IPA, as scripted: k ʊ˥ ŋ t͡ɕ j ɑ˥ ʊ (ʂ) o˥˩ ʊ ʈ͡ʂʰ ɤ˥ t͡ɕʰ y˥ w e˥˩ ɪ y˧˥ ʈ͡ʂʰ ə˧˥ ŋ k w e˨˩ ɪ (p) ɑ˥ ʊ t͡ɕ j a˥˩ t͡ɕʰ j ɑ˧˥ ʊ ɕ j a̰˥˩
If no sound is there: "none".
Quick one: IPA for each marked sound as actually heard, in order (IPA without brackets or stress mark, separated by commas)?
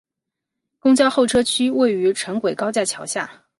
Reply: x, k